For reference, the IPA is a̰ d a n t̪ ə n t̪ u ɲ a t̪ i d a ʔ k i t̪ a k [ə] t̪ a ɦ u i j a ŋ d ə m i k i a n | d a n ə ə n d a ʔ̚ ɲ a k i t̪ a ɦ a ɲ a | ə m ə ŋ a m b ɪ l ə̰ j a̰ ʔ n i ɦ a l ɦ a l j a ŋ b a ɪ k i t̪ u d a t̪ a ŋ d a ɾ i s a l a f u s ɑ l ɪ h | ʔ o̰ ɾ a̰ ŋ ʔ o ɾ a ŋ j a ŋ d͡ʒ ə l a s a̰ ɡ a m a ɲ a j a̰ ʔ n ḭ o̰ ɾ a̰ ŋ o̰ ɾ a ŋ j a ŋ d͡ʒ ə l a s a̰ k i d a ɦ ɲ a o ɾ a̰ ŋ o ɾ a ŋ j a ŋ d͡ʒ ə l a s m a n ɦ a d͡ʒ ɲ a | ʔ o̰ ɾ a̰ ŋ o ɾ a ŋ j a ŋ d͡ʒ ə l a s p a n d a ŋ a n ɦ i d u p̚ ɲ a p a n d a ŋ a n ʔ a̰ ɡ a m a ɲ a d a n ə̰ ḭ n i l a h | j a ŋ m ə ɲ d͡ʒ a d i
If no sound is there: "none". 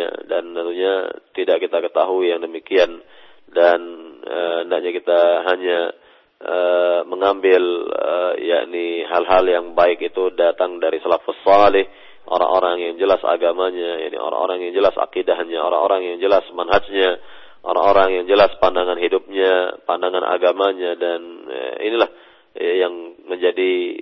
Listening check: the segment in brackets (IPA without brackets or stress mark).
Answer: ə